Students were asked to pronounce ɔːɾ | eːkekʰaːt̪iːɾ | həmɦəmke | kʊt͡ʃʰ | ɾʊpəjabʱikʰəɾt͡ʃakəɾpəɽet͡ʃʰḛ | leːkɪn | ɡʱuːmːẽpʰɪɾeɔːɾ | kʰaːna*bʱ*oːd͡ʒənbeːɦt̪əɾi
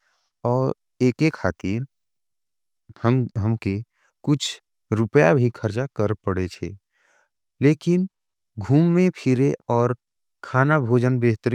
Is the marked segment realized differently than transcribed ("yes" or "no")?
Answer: no